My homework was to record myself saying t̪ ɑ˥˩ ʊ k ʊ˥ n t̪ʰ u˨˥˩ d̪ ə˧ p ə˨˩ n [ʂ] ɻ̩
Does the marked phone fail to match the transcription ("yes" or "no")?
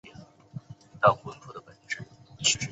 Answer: yes